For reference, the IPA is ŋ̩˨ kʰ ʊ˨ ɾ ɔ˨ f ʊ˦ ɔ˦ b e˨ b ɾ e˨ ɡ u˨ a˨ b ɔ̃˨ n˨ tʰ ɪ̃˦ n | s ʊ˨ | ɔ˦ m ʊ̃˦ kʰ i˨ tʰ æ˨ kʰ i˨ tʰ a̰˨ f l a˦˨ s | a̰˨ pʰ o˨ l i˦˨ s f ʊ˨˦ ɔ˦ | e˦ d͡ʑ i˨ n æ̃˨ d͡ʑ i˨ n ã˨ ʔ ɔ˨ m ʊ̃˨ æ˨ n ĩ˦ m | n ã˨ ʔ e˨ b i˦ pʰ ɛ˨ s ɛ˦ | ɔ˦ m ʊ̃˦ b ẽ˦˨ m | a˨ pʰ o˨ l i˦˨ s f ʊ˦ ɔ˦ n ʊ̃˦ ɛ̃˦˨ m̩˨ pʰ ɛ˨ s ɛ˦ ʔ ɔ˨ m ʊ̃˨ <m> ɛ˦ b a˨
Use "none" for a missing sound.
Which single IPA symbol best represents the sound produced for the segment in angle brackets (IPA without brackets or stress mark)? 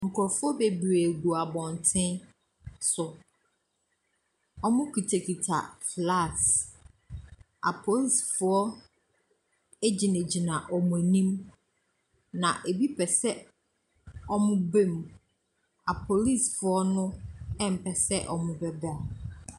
b